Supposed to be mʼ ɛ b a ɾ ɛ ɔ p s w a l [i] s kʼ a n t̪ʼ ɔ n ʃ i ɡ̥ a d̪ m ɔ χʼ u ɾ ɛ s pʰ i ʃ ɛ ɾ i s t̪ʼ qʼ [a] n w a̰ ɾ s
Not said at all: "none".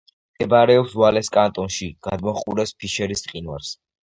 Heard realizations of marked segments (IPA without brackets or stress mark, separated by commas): ɛ, i